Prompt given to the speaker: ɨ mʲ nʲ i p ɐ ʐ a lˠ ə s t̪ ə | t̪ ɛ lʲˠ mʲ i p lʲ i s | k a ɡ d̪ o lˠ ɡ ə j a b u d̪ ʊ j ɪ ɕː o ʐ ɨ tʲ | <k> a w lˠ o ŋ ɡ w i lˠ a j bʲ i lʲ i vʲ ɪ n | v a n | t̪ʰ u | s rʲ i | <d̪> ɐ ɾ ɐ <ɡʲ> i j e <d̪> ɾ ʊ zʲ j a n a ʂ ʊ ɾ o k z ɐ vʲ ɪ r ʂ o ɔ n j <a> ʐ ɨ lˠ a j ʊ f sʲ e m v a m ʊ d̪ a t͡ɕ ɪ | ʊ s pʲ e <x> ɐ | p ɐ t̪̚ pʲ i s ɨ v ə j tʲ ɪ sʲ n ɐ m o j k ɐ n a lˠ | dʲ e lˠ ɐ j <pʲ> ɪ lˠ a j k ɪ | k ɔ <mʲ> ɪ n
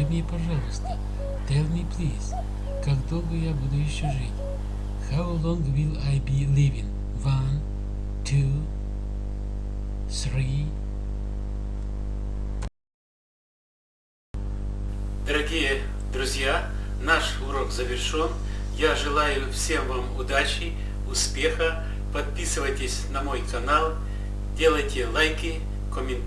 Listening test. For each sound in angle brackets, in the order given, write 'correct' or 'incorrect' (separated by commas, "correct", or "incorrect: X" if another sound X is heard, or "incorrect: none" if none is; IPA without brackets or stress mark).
incorrect: x, correct, correct, correct, correct, correct, incorrect: tʲ, correct